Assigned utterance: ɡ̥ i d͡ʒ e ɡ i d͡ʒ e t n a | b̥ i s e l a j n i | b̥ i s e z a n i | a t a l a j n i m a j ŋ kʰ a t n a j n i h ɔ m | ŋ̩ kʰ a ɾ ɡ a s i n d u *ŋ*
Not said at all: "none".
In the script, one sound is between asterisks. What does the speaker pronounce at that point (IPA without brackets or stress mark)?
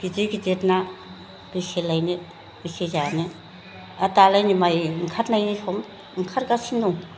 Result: ŋ